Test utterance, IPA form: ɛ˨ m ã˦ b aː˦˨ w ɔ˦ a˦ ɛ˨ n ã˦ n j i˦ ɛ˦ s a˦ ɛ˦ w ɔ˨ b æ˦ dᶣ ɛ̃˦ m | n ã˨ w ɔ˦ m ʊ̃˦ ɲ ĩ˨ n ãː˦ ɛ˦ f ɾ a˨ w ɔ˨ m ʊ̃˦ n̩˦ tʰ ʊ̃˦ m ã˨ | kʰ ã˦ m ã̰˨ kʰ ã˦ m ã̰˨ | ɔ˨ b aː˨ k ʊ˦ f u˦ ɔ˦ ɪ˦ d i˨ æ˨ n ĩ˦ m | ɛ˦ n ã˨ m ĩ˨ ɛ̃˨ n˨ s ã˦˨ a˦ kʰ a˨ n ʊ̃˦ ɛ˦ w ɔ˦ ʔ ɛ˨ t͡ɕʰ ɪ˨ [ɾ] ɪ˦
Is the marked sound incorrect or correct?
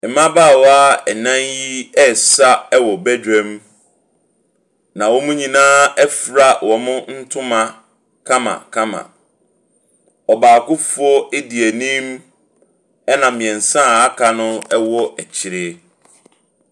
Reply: correct